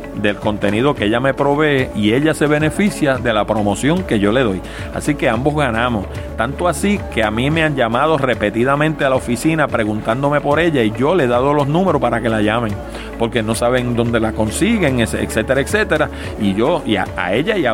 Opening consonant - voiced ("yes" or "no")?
yes